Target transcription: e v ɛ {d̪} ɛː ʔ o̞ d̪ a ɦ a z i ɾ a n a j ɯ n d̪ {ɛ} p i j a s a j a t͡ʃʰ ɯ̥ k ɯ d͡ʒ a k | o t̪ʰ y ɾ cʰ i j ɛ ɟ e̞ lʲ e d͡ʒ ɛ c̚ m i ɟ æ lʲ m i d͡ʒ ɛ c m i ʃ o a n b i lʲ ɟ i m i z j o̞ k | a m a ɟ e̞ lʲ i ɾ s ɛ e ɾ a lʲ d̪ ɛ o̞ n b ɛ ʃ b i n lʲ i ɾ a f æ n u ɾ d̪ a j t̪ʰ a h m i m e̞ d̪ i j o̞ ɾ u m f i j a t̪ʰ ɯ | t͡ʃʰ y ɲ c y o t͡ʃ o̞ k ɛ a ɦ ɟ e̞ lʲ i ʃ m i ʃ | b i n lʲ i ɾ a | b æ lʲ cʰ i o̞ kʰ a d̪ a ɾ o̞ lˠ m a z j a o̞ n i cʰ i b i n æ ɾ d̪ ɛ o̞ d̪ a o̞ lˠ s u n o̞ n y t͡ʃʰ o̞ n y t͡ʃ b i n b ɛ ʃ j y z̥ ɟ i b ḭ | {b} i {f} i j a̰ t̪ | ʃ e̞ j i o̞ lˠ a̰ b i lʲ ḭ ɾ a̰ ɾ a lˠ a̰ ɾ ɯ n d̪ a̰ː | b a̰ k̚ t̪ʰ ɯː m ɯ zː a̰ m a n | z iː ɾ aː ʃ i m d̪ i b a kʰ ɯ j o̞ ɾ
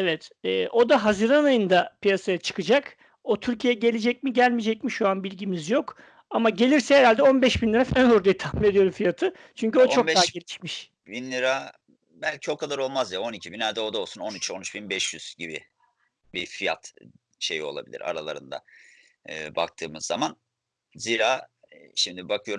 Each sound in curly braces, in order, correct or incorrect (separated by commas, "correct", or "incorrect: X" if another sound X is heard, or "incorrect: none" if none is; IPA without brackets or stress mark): incorrect: t̪, incorrect: a, correct, correct